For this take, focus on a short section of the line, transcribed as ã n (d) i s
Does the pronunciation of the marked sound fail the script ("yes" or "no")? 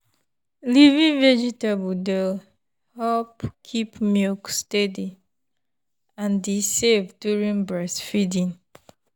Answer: no